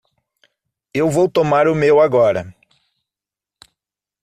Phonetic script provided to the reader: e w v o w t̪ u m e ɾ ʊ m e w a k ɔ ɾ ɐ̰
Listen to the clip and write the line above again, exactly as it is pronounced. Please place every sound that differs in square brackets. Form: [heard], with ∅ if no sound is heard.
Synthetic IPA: e w v o w t̪ [o] m [a] ɾ ʊ m e w a [ɡ] ɔ ɾ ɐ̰